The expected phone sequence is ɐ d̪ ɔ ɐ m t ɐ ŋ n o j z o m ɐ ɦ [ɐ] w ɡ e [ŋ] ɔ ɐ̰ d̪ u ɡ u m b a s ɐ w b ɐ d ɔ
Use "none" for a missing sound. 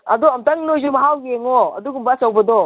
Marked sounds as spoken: a, ŋ

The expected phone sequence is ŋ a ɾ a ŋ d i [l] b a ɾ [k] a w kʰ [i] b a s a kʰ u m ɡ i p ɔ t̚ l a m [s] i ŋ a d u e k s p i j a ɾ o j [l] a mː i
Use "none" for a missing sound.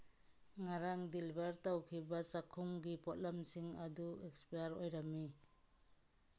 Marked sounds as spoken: l, t, i, s, ɾ

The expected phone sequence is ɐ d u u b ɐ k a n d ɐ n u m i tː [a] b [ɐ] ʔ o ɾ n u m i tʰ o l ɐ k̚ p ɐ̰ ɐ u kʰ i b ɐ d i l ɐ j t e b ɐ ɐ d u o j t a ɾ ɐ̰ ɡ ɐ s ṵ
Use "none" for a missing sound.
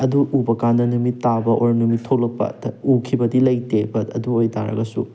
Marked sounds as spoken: a, ɐ

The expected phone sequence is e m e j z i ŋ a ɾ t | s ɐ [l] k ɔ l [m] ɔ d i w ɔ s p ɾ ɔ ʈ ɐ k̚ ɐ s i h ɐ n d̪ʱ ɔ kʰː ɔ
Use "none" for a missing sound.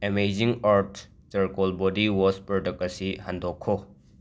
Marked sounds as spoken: ɾ, b

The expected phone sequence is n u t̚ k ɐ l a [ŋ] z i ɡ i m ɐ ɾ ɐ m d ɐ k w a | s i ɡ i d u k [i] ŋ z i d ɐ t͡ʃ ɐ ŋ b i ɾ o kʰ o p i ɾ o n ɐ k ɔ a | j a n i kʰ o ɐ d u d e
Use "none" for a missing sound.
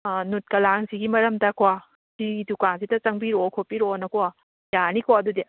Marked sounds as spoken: ŋ, a

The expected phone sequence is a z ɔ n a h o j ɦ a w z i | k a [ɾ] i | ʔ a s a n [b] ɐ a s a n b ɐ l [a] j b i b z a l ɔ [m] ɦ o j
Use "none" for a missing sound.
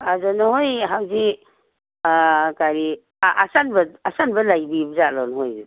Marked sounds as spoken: ɾ, b, a, n

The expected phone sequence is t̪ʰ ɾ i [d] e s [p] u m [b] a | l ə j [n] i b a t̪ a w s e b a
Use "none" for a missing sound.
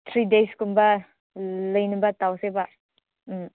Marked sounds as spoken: d, k, b, n

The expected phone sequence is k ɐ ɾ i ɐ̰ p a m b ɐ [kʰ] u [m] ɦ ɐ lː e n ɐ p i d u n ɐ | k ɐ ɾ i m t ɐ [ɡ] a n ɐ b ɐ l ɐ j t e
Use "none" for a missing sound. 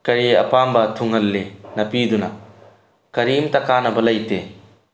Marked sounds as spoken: tʰ, ŋ, k

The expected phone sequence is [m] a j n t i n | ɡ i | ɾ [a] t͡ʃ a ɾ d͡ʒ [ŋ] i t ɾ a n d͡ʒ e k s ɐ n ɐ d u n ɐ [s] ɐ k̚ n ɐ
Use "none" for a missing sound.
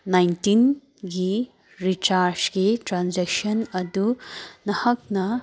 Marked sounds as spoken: n, i, ɡ, h

